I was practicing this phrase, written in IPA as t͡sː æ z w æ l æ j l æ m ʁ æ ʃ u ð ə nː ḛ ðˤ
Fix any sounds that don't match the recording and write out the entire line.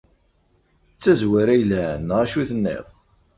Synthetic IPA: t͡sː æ z w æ ɾ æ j l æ n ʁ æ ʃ u θ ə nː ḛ ðˤ